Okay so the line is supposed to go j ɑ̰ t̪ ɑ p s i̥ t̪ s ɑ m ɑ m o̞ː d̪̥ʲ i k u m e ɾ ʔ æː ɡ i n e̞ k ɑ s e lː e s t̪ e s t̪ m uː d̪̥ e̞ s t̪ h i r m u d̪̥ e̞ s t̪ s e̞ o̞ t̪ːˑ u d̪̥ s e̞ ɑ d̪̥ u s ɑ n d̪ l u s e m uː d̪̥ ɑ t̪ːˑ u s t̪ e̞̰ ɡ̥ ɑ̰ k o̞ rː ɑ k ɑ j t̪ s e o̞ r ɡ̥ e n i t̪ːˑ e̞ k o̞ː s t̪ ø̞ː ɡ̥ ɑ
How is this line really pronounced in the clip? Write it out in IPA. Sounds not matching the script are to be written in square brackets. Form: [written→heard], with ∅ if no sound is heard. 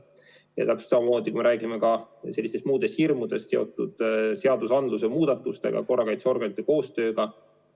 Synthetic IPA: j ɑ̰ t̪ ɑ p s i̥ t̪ s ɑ m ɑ m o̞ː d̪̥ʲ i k u m e ɾ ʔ æː ɡ i [n→m] e̞ k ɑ s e lː [e→i] s t̪ e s t̪ m uː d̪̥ e̞ s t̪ h i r m u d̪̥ e̞ s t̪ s e̞ o̞ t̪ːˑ u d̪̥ s e̞ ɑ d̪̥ u s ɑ n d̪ l u s e m uː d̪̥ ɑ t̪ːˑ u s t̪ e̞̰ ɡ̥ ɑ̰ k o̞ rː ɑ k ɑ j t̪ s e o̞ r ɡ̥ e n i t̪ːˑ e̞ k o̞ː s t̪ ø̞ː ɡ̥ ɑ